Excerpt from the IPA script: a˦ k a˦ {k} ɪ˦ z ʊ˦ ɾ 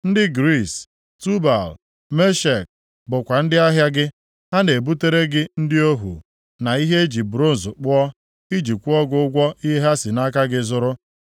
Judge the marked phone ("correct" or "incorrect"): incorrect